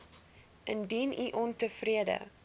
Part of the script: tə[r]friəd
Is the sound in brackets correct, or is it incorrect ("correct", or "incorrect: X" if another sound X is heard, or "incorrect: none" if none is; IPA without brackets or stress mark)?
incorrect: none